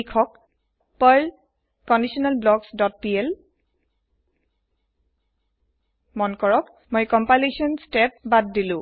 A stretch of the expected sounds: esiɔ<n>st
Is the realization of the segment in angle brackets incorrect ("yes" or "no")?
no